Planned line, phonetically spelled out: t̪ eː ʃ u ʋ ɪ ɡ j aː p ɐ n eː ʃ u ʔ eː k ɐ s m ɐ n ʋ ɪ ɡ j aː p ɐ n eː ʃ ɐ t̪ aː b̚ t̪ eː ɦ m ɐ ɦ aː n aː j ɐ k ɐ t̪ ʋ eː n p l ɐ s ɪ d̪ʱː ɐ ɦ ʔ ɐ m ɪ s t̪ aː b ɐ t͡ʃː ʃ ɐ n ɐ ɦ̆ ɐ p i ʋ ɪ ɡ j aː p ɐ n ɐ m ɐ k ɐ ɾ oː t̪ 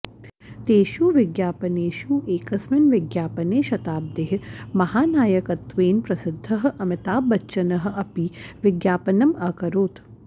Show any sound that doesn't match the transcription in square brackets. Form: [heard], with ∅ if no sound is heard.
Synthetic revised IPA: t̪ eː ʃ u ʋ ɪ ɡ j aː p ɐ n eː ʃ u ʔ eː k ɐ s m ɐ n ʋ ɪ ɡ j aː p ɐ n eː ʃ ɐ t̪ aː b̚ [d̪] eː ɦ m ɐ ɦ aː n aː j ɐ k ɐ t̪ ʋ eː n p [ɾ] ɐ s ɪ d̪ʱː ɐ ɦ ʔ ɐ m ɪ [∅] t̪ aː b ɐ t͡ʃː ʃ ɐ n ɐ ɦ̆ ɐ p i ʋ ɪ ɡ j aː p ɐ n ɐ m ɐ k ɐ ɾ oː t̪